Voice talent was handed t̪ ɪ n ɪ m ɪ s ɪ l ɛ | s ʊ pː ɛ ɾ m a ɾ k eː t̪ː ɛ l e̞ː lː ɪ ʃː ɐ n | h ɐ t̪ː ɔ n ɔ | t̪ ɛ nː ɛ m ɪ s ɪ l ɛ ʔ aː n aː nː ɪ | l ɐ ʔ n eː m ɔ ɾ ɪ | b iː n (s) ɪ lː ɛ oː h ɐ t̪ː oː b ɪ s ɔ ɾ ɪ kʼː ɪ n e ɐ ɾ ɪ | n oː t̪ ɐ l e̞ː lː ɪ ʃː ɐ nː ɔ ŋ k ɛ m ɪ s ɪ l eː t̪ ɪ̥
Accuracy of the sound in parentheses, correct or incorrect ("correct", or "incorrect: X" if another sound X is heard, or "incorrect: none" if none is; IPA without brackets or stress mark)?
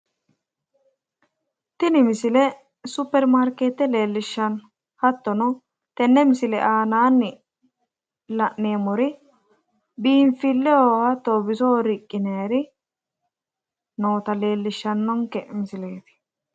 incorrect: f